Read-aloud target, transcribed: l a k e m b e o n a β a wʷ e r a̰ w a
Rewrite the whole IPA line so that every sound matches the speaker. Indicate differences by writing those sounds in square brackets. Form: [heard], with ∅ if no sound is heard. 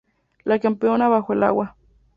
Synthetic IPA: l a k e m [p] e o n a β a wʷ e [l] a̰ w a